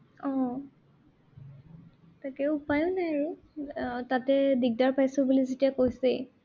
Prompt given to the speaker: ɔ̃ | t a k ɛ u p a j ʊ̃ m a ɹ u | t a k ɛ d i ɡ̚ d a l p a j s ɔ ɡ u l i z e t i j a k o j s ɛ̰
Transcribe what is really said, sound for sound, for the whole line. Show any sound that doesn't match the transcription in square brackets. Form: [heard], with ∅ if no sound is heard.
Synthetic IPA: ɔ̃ | t a k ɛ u p a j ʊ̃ [n] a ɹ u | t a [t] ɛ d i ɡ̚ d a [ɹ] p a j s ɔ [b] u l i z e t i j a k o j s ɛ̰